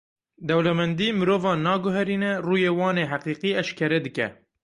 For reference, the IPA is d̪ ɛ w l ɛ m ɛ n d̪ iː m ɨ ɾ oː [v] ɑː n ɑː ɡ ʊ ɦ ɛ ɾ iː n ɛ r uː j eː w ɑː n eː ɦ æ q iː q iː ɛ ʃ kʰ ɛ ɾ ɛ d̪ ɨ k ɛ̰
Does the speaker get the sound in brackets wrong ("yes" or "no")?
no